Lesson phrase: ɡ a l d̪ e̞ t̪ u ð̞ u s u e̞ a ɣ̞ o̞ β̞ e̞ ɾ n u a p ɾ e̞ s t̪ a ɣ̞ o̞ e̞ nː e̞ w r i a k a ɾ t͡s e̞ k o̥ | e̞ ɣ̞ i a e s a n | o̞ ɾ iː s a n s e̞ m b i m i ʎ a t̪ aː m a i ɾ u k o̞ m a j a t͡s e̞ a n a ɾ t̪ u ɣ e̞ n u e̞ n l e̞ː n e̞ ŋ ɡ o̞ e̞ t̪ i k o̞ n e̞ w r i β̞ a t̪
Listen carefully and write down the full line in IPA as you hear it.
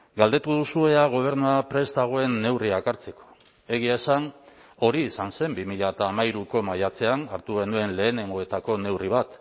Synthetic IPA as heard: ɡ a l d̪ e̞ t̪ u ð̞ u s u e̞ a ɣ̞ o̞ β̞ e̞ ɾ n u a p ɾ e̞ s t̪ a ɣ̞ o̞ e̞ nː e̞ w r i a k a ɾ t͡s e̞ k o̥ | e̞ ɣ̞ i a e s a n | o̞ ɾ iː s a n s e̞ m b i m i ʎ a t̪ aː m a i ɾ u k o̞ m a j a t͡s e̞ a n a ɾ t̪ u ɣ e̞ n u e̞ n l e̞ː n e̞ ŋ ɡ o̞ e̞ t̪ a k o̞ n e̞ w r i β̞ a t̪